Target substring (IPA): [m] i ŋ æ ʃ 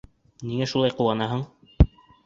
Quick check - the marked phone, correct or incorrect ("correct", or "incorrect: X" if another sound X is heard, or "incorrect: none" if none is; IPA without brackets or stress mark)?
incorrect: n